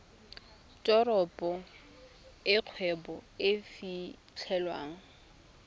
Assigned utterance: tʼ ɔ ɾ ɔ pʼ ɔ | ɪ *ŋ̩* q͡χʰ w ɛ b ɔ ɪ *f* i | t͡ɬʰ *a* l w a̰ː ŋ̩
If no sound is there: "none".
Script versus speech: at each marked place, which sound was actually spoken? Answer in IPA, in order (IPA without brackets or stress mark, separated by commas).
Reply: none, f, ɛ